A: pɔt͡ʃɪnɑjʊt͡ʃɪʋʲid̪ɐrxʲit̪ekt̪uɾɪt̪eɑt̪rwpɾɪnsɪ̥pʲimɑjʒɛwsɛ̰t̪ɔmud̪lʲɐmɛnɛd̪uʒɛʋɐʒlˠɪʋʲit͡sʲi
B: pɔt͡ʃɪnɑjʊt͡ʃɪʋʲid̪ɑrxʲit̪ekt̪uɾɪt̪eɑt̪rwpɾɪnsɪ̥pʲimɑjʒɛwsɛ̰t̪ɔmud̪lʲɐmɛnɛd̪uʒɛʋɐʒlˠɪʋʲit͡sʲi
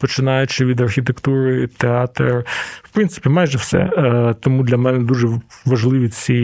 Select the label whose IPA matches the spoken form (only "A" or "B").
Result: A